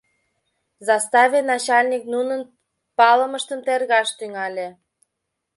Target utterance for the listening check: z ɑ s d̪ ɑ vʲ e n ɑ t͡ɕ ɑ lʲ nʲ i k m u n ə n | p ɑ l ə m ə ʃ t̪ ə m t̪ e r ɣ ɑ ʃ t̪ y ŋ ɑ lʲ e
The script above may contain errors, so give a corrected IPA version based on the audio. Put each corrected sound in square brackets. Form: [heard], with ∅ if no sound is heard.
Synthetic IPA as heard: z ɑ s [t̪] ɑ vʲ e n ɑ t͡ɕ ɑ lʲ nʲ i k [n] u n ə n | p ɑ l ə m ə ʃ t̪ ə m t̪ e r ɣ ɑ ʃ t̪ y ŋ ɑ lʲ e